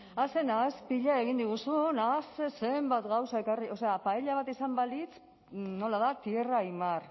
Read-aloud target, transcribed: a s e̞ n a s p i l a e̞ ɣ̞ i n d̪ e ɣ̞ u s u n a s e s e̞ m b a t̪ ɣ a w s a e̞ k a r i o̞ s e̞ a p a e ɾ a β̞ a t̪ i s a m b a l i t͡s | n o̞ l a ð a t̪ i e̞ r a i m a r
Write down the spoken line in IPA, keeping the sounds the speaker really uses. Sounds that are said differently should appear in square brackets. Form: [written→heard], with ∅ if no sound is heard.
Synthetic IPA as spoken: a s e̞ n a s p i [l→ʎ] a e̞ ɣ̞ i n d̪ [e→i] ɣ̞ u s u n a s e s e̞ m b a t̪ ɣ a w s a e̞ k a r i o̞ s e̞ a p a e [ɾ→ʎ] a β̞ a t̪ i s a m b a l i t͡s | n o̞ l a ð a t̪ i e̞ r a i m a r